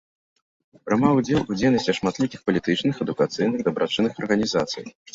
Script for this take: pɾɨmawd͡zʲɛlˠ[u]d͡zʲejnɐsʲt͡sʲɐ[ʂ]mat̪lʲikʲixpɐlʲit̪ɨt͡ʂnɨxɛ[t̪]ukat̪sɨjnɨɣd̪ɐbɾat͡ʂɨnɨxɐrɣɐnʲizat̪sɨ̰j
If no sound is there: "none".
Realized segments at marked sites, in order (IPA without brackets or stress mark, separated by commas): u, ʂ, d̪